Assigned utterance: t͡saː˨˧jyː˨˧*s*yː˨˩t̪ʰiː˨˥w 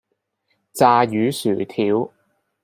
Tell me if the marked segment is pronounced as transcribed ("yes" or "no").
yes